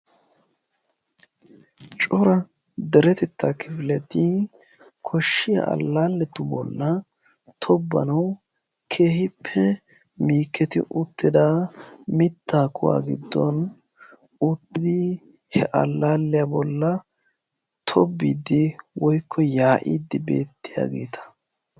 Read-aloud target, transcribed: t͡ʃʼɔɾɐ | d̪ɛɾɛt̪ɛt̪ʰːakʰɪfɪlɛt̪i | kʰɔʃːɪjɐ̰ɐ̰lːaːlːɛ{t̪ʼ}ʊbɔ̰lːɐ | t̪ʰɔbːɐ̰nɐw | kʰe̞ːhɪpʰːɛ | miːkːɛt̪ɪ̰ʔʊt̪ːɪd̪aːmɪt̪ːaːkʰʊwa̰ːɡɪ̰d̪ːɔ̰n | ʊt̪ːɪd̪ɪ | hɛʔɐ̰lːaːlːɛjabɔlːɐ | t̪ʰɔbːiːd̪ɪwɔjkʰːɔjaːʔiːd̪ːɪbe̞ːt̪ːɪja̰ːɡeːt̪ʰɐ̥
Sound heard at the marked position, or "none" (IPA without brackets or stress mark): t̪